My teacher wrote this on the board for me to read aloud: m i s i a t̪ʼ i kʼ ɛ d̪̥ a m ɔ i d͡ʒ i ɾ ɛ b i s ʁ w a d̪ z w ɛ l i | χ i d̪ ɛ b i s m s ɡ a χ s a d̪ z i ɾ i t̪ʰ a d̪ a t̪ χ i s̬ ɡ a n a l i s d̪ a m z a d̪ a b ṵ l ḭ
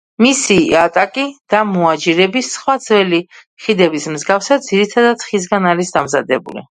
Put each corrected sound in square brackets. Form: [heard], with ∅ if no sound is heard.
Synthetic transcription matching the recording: m i s i a t̪ʼ [a] kʼ [i] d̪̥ a m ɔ [a] d͡ʒ i ɾ ɛ b i s [χ] w a d̪ z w ɛ l i | χ i d̪ ɛ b i s m [z] ɡ a [f] s a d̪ z i ɾ i t̪ʰ a d̪ a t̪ χ i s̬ ɡ a n a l i s d̪ a m z a d̪ [ɛ] b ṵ l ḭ